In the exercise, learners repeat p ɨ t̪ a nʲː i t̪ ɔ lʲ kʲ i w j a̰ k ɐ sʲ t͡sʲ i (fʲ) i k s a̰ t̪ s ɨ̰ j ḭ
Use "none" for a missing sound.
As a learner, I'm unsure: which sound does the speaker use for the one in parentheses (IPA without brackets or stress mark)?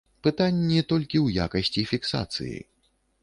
fʲ